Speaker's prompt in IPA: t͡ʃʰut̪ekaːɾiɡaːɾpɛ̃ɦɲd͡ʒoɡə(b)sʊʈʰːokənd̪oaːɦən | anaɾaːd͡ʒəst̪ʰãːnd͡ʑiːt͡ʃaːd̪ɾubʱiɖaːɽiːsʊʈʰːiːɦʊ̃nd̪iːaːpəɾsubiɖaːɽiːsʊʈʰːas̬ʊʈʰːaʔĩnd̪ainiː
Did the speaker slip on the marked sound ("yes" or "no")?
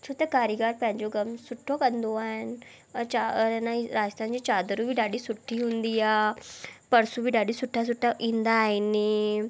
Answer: yes